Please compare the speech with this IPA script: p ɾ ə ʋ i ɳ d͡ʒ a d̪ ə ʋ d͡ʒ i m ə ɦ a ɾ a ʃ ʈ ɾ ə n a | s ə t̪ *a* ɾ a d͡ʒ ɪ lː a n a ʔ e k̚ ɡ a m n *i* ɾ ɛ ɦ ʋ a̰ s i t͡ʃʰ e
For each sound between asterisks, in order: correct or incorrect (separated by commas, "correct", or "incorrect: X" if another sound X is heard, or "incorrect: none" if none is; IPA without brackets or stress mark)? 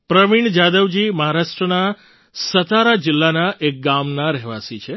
correct, incorrect: a